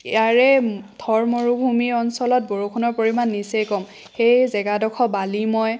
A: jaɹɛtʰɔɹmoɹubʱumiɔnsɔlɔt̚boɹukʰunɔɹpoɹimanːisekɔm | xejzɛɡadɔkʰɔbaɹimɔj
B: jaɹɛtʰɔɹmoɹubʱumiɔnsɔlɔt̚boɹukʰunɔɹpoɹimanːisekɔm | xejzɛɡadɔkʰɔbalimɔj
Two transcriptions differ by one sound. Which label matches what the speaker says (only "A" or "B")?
B